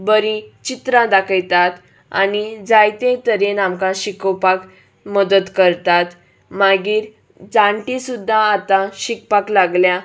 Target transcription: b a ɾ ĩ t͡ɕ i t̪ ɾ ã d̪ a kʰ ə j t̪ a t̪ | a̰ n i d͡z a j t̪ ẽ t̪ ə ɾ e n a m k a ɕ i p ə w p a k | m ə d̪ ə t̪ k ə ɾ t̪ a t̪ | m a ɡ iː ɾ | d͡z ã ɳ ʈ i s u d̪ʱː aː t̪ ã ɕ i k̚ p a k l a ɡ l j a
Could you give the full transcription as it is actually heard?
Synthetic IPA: b ə ɾ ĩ t͡ɕ i t̪ ɾ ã d̪ a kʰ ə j t̪ a t̪ | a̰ n i d͡z a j t̪ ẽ t̪ ə ɾ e n a m k a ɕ i k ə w p a k | m ə d̪ ə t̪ k ə ɾ t̪ a t̪ | m a ɡ iː ɾ | d͡z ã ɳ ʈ i s u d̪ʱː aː t̪ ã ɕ i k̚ p a k l a ɡ l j a